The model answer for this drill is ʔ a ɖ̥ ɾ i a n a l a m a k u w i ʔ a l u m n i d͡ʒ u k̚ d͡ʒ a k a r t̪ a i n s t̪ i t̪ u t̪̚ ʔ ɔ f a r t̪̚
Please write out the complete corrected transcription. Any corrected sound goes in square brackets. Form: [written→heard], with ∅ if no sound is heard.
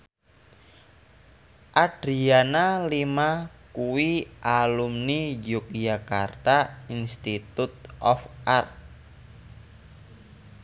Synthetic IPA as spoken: ʔ a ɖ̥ ɾ i a n a l [a→i] m a k u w i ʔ a l u m n i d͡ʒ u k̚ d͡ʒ a k a r t̪ a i n s t̪ i t̪ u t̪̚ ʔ ɔ f a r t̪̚